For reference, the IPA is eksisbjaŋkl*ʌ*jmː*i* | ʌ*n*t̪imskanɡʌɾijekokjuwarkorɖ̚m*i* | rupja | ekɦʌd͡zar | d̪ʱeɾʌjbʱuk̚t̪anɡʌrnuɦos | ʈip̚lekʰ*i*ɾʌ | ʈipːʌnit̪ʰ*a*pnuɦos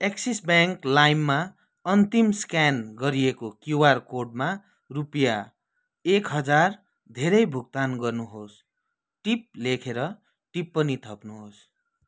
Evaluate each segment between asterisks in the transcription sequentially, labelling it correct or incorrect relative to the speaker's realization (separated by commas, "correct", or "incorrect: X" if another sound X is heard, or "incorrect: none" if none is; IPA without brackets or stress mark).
incorrect: a, incorrect: a, correct, incorrect: a, incorrect: e, incorrect: ʌ